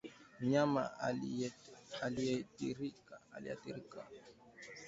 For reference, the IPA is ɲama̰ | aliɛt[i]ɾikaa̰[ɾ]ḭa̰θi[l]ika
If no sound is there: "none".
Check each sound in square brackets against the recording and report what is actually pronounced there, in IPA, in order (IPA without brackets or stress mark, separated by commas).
i, l, ɾ